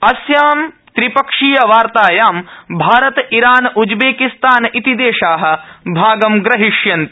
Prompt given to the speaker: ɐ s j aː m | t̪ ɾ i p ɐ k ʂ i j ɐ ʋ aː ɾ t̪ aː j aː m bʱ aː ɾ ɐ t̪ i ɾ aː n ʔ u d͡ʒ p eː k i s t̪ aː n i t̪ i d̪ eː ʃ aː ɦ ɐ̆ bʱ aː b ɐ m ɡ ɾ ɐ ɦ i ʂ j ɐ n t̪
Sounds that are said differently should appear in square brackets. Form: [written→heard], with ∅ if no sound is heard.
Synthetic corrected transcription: ɐ s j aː m | t̪ ɾ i p ɐ k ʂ i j ɐ ʋ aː ɾ t̪ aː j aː m bʱ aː ɾ ɐ t̪ i ɾ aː n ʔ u d͡ʒ [p→b] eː k i s t̪ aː n i t̪ i d̪ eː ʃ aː ɦ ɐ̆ bʱ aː [b→ɡ] ɐ m ɡ ɾ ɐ ɦ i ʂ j ɐ n t̪